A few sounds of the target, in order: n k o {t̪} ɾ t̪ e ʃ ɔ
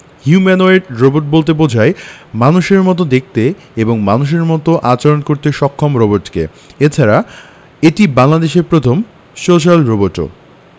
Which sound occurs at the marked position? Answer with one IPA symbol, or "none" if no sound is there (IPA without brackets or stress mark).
none